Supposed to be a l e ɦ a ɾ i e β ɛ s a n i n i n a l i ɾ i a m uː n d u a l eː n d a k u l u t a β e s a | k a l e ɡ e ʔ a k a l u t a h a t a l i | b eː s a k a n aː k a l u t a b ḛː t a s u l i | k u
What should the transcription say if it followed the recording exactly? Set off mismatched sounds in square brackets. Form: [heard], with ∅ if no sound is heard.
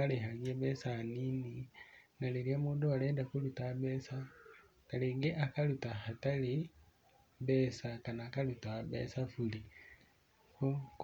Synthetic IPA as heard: a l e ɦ a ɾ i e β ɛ s a n i n i n a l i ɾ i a m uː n d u a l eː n d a k u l u t a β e s a | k a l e ɡ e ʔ a k a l u t a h a t a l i | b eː s a k a n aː k a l u t a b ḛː [s] a [f] u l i | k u